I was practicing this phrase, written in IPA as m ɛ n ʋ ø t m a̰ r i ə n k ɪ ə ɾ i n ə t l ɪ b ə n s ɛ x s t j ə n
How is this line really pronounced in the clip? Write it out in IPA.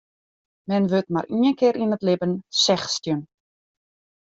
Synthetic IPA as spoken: m ɛ n ʋ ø t m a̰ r i ə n k ɪ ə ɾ i n ə t l ɪ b ə n s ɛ x s t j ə n